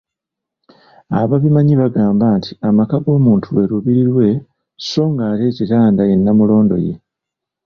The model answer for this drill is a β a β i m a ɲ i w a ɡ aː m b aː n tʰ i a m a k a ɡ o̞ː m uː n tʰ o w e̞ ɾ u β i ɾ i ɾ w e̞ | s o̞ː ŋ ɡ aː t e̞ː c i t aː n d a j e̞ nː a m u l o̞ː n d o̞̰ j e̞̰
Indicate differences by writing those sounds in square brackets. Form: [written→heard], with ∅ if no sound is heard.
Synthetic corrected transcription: a β a β i m a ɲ i [w→β] a ɡ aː m b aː n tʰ i a m a k a ɡ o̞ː m uː n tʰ [o→u] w e̞ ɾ u β i ɾ i ɾ w e̞ | s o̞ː ŋ ɡ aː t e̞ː c i t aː n d a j e̞ nː a m u l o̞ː n d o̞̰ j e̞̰

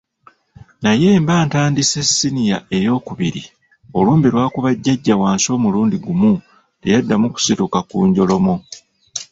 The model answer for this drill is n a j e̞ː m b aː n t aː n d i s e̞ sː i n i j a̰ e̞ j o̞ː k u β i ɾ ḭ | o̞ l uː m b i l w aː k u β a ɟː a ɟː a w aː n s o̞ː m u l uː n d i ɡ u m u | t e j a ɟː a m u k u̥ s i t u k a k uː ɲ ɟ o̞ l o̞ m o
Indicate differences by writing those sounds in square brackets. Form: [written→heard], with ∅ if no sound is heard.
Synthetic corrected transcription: n a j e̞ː m b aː n t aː n d i s e̞ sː i n i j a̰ e̞ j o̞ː k u β i ɾ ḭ | o̞ l uː m b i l w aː k u β a ɟː a ɟː a w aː n s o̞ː m u l uː n d i ɡ u m u | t e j a [ɟː→dː] a m u k u̥ s i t u k a k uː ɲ ɟ o̞ l o̞ m o

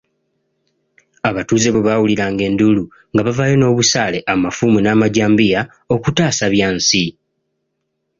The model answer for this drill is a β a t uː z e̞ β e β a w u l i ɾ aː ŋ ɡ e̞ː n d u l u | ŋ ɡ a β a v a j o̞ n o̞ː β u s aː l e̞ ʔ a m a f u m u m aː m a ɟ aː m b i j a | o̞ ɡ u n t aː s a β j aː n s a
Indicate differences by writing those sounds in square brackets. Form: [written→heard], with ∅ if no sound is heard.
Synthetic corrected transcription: a β a t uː z e̞ β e β a w u l i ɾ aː ŋ ɡ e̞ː n d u l u | ŋ ɡ a β a v a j o̞ n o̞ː β u s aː l e̞ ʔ a m a f u m u [m→n] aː m a ɟ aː m b i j a | o̞ [ɡ→k] u [n→∅] t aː s a β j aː n s [a→i]

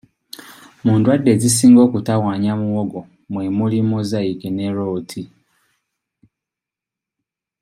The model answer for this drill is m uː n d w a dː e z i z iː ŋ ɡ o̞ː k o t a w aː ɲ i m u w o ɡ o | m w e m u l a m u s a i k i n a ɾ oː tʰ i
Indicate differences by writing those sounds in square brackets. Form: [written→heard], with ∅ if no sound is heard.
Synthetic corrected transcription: m uː n d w a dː e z i [z→s] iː ŋ ɡ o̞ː k [o→u] t a w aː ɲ [i→a] m u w o ɡ o | m w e m u l [a→i] m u [s→z] a i k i n [a→e] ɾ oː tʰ i

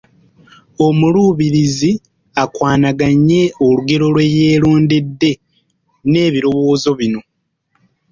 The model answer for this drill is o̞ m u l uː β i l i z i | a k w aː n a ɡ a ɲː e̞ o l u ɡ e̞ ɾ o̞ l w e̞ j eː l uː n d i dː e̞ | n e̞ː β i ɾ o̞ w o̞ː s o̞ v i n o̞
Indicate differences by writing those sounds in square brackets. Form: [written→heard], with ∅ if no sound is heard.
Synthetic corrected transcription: o̞ m u l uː β i [l→ɾ] i z i | a k w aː n a ɡ a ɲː e̞ o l u ɡ e̞ ɾ o̞ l w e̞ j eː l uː n d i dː e̞ | n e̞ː β i ɾ o̞ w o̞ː [s→z] o̞ [v→β] i n o̞

